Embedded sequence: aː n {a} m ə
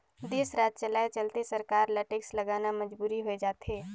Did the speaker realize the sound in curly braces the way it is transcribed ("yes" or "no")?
yes